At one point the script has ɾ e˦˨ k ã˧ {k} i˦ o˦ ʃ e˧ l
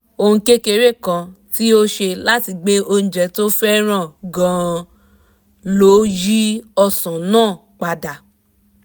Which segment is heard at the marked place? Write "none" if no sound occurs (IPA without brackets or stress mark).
t